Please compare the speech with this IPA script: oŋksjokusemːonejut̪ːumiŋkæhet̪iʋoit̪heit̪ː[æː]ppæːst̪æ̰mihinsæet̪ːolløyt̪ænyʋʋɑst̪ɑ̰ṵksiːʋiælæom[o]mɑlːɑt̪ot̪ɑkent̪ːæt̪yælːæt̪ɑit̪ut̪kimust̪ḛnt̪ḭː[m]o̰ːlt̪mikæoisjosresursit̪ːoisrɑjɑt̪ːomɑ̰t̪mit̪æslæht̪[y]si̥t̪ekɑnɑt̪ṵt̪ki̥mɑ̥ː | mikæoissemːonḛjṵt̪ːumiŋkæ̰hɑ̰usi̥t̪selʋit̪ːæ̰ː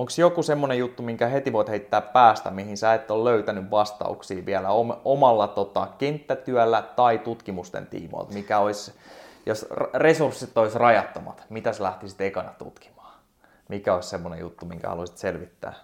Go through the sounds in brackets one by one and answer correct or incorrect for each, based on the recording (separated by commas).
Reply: correct, correct, correct, incorrect